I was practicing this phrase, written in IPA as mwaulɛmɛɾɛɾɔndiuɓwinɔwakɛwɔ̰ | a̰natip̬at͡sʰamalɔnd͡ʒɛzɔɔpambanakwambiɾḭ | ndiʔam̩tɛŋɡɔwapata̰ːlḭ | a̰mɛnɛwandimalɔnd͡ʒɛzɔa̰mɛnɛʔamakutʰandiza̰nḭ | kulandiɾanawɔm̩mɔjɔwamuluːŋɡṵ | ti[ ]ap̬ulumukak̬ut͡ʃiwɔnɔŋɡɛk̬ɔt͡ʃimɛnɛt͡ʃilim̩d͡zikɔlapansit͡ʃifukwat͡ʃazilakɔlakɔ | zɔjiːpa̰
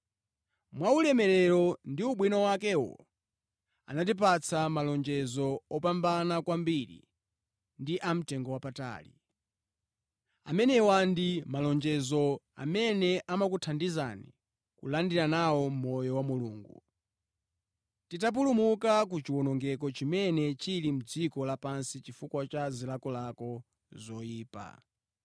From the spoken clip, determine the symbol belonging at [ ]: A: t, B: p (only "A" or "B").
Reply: A